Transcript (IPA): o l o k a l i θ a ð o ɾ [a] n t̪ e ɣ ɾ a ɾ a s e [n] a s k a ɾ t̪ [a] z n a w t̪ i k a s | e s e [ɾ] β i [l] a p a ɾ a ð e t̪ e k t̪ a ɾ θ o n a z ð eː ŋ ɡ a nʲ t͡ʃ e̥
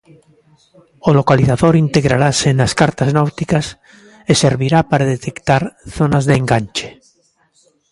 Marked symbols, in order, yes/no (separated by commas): no, yes, yes, yes, no